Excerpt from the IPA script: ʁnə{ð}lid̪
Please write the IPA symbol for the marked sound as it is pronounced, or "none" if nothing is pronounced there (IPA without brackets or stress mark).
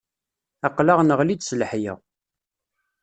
ʁ